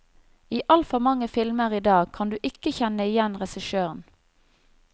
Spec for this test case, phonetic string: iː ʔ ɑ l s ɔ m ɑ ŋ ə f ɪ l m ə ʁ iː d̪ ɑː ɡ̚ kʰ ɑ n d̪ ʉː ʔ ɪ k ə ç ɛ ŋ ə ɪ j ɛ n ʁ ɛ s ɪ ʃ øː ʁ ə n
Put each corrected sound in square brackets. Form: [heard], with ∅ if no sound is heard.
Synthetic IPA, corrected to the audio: iː ʔ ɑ l [f] ɔ m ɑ ŋ ə f ɪ l m ə ʁ iː d̪ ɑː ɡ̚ kʰ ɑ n d̪ ʉː ʔ ɪ k ə ç ɛ [n] ə ɪ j ɛ n ʁ ɛ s ɪ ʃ øː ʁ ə n

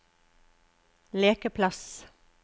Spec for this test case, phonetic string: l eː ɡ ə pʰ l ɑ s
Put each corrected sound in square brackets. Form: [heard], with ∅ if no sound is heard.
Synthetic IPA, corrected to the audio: l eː [k] ə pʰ l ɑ s

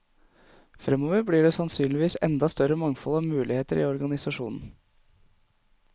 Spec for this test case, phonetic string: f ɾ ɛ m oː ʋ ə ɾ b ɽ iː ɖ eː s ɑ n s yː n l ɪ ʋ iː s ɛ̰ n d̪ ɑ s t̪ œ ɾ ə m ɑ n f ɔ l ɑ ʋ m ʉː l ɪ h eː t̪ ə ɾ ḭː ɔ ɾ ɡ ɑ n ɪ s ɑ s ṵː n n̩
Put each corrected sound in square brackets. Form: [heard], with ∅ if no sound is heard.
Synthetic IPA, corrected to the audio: f ɾ ɛ m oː ʋ ə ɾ b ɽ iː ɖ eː s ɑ n s yː n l ɪ ʋ iː s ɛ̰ n d̪ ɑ s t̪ œ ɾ ə m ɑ [ŋ] f ɔ l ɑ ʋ m ʉː l ɪ h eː t̪ ə ɾ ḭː ɔ ɾ ɡ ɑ n ɪ s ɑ [ʂ] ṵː n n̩

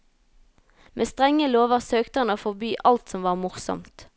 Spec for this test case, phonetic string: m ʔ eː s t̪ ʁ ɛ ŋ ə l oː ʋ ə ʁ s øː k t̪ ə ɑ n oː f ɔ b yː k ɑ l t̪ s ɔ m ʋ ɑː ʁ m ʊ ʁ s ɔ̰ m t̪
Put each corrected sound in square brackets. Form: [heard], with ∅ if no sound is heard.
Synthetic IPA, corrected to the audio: m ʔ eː s t̪ ʁ ɛ ŋ ə l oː ʋ ə ʁ s øː k t̪ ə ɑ n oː f ɔ b yː [ʔ] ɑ l t̪ s ɔ m ʋ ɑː ʁ m ʊ ʁ s ɔ̰ m t̪

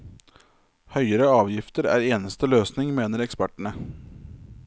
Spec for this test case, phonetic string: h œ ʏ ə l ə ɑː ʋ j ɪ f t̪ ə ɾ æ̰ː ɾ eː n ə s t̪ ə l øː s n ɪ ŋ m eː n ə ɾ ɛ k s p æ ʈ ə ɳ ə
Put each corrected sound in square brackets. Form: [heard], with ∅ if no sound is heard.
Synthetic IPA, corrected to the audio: h œ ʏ ə [ɾ] ə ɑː ʋ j ɪ f t̪ ə ɾ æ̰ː ɾ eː n ə s t̪ ə l øː s n ɪ ŋ m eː n ə ɾ ɛ k s p æ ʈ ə ɳ ə

